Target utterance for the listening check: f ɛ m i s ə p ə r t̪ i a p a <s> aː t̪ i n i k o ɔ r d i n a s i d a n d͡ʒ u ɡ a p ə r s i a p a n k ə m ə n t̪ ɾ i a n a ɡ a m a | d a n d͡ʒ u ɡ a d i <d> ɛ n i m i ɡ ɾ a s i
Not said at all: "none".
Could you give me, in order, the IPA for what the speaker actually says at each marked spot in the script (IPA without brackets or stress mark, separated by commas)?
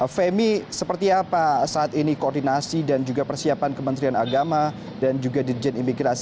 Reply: s, d͡ʒ